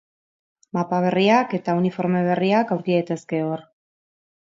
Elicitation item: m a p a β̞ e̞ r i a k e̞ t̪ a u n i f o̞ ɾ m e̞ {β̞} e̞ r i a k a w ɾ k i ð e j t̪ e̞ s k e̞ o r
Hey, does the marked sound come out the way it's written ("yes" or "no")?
yes